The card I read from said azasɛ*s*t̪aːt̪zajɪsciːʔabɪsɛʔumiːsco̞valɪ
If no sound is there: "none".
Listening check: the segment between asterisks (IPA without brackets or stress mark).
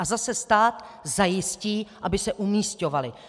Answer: s